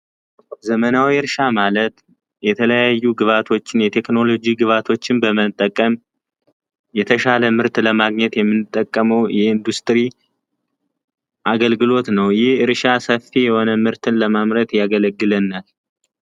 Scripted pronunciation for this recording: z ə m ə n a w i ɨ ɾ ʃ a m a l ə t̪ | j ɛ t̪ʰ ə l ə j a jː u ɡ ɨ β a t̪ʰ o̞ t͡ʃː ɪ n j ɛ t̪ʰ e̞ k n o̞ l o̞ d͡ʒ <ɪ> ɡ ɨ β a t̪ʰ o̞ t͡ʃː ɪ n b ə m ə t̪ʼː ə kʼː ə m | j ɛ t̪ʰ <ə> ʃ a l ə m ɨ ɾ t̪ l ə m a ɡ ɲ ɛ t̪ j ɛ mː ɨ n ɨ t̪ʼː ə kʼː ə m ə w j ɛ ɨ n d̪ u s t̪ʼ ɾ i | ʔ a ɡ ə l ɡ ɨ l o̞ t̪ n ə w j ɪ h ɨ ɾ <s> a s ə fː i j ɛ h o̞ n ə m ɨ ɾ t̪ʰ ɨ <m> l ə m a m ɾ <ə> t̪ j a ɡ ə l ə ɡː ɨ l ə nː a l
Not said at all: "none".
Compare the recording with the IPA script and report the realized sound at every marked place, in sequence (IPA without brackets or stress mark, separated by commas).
i, ə, ʃ, n, ə